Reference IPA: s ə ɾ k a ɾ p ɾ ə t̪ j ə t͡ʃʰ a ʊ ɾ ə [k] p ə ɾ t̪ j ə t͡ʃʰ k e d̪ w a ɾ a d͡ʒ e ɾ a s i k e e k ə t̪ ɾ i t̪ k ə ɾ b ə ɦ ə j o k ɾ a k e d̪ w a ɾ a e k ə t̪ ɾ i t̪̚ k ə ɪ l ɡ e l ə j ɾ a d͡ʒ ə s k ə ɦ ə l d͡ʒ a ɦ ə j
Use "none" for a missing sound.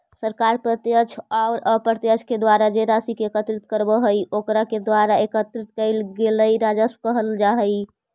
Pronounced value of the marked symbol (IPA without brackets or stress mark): none